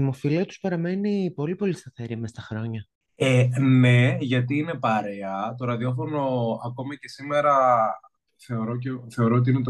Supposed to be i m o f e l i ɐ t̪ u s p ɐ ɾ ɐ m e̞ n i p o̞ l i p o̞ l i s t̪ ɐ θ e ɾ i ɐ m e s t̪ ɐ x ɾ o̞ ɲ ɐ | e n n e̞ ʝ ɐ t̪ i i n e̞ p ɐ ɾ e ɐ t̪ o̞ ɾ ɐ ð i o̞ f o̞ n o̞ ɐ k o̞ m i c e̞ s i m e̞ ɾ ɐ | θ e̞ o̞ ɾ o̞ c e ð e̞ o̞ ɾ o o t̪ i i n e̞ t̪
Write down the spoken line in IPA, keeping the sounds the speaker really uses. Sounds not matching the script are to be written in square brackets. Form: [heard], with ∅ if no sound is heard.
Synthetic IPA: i m o f [i] l i ɐ t̪ u s p ɐ ɾ ɐ m e̞ n i p o̞ l i p o̞ l i s t̪ ɐ θ e ɾ i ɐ m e s t̪ ɐ x ɾ o̞ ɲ ɐ | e n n e̞ ʝ ɐ t̪ i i n e̞ p ɐ ɾ e ɐ t̪ o̞ ɾ ɐ ð i o̞ f o̞ n o̞ ɐ k o̞ m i c e̞ s i m e̞ ɾ ɐ | θ e̞ o̞ ɾ o̞ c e [θ] e̞ o̞ ɾ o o t̪ i i n e̞ t̪